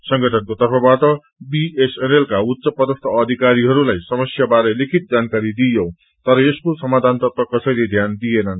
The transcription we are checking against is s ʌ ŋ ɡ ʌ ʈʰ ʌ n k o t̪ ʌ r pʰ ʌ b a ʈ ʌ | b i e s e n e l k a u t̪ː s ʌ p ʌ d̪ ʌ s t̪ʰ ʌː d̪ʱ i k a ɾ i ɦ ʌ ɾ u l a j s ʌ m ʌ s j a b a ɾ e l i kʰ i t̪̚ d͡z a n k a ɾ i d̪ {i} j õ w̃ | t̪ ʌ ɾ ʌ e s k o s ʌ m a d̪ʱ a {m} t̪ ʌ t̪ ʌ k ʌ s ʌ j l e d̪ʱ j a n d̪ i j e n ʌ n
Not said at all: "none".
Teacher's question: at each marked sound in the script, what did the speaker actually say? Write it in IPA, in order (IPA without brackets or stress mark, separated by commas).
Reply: i, n